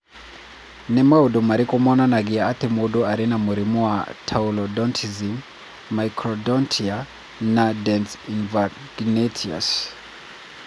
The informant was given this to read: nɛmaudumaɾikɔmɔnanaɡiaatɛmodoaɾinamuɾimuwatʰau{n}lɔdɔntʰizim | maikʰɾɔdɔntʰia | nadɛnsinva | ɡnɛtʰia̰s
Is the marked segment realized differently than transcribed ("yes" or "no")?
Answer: yes